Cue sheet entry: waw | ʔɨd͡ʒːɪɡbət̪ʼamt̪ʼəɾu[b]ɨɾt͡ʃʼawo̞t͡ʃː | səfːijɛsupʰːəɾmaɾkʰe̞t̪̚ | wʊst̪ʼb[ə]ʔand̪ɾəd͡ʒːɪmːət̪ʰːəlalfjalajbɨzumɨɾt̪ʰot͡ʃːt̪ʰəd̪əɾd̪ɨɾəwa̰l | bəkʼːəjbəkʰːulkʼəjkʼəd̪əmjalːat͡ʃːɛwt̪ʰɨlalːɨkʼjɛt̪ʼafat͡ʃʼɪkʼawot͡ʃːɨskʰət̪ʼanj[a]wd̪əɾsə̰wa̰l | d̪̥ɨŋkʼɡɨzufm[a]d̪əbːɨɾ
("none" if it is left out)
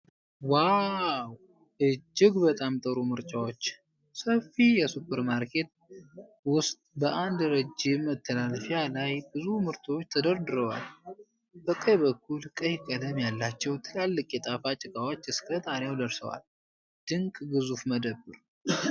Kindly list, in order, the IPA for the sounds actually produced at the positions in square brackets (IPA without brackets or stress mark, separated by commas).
m, ə, a, ə